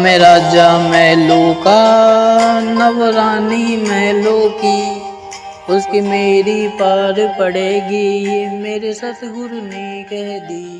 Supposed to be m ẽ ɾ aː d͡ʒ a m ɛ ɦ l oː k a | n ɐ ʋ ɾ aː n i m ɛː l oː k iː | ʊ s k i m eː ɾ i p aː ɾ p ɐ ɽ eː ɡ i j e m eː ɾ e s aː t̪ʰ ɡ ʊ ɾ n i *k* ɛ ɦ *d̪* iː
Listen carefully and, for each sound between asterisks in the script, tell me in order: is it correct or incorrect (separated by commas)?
correct, correct